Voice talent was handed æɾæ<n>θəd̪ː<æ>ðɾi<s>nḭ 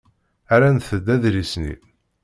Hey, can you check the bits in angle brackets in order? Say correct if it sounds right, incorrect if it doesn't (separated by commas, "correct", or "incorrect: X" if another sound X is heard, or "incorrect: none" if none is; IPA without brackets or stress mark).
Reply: correct, correct, correct